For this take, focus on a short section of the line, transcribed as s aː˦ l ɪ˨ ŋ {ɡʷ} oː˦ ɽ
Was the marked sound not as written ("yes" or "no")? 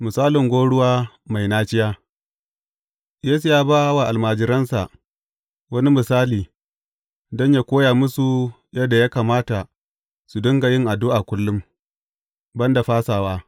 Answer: no